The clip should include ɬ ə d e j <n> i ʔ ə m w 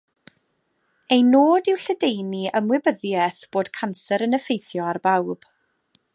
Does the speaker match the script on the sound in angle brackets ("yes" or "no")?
yes